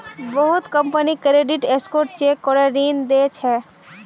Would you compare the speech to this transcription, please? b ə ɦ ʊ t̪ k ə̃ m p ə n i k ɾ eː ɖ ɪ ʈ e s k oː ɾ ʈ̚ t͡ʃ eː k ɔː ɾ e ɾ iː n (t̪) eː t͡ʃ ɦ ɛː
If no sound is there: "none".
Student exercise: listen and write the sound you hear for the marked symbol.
d̪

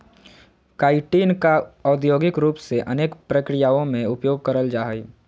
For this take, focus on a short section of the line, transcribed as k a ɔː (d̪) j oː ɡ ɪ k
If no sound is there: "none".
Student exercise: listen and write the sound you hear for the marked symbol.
d̪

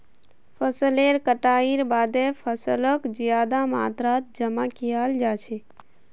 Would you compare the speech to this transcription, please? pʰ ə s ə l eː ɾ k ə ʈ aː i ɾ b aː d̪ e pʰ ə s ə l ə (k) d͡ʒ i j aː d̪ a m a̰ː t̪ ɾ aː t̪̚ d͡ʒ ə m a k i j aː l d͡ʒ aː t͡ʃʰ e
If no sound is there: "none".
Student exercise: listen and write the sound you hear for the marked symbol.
k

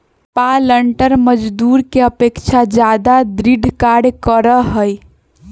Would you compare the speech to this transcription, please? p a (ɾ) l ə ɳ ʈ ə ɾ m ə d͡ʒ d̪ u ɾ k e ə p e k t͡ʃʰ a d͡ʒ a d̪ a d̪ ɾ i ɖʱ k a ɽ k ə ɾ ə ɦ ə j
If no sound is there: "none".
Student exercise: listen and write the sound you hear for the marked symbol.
none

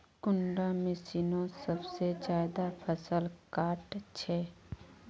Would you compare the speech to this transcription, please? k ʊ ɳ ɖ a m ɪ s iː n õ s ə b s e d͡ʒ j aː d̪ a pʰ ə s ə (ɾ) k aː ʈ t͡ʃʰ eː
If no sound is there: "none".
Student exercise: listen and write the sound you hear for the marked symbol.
l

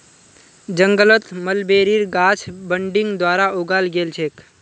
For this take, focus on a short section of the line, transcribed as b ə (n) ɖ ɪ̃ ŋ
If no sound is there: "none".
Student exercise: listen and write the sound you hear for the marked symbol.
ɳ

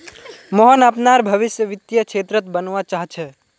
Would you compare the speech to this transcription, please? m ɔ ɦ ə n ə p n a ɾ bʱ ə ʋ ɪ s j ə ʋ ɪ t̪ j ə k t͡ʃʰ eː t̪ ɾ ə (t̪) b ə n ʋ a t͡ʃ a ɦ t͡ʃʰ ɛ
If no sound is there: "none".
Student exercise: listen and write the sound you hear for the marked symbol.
t̪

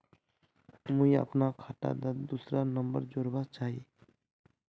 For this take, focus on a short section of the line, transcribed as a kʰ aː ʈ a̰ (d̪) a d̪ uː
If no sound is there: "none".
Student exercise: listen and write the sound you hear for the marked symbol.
d̪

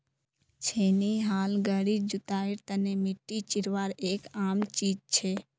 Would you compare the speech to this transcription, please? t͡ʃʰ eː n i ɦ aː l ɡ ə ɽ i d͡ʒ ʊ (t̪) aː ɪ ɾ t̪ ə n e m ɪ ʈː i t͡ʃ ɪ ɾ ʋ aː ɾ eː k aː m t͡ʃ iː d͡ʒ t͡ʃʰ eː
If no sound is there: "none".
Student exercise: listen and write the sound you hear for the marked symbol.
t̪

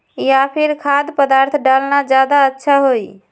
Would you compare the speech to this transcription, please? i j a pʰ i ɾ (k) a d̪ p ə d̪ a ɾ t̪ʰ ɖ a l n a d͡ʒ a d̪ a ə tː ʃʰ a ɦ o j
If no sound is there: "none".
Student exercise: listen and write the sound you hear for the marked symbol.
kʰ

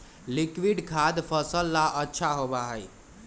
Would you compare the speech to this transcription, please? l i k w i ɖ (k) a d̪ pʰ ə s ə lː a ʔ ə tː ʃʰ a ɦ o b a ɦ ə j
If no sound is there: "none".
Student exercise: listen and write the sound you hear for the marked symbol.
kʰ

